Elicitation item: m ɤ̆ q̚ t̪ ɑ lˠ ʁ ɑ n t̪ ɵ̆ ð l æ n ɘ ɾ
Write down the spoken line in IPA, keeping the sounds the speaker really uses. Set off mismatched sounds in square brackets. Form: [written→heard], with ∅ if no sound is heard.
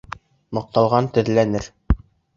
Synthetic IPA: m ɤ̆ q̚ t̪ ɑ lˠ ʁ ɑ n t̪ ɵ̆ ð l æ n ɘ ɾ